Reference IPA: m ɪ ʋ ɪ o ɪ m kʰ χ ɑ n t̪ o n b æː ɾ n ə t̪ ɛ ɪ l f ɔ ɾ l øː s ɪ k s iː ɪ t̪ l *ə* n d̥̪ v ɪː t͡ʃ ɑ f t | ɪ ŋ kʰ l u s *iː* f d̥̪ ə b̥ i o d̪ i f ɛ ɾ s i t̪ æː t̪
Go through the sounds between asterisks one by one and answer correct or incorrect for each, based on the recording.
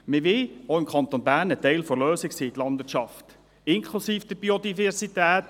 incorrect: ɑ, correct

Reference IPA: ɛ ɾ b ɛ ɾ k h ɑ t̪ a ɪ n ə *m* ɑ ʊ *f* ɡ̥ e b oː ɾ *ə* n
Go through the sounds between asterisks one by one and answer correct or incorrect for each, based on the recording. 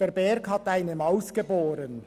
correct, incorrect: s, correct

